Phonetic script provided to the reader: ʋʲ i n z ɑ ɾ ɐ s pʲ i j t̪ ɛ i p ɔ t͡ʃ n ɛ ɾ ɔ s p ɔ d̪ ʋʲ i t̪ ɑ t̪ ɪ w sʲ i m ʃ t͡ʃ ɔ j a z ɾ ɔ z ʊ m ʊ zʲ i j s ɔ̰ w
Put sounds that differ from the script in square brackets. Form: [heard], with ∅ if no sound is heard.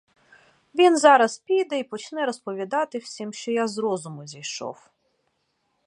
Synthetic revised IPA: ʋʲ i n z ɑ ɾ ɐ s pʲ i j [d̪] ɛ i p ɔ t͡ʃ n ɛ ɾ ɔ s p ɔ [∅] ʋʲ i [d̪] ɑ t̪ ɪ w sʲ i m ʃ t͡ʃ ɔ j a z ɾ ɔ z ʊ m ʊ zʲ i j [ʃ] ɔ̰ w